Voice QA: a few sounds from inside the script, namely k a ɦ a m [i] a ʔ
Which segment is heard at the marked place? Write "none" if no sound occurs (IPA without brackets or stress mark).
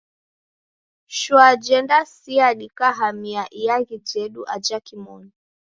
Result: i